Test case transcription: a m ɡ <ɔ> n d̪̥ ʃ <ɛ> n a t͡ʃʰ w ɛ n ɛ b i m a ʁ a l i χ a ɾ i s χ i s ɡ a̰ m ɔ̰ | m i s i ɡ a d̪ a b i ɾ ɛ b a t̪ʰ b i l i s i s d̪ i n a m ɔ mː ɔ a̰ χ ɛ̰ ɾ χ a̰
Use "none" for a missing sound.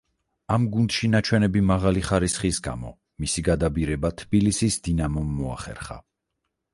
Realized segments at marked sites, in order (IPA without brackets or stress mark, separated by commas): u, i